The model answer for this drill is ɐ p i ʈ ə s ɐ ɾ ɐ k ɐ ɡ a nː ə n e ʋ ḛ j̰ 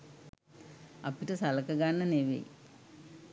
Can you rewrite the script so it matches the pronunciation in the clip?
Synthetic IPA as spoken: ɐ p i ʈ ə s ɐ l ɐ k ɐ ɡ a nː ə n e ʋ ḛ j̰